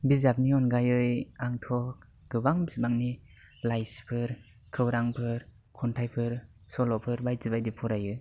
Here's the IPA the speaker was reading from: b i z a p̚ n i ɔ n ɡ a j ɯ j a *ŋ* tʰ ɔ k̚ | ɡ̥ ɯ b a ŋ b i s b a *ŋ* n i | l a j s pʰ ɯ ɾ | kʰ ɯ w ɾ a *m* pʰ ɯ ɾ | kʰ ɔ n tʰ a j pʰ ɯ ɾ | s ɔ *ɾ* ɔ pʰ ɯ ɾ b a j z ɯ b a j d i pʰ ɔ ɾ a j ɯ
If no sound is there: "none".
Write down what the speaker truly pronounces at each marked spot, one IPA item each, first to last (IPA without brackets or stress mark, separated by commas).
ŋ, ŋ, ŋ, l